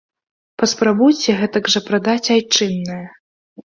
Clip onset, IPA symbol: p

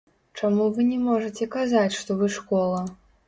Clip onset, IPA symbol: t͡ʂ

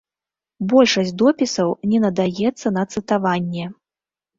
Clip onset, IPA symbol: b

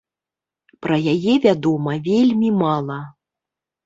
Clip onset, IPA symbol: p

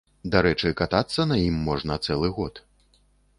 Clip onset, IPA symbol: d̪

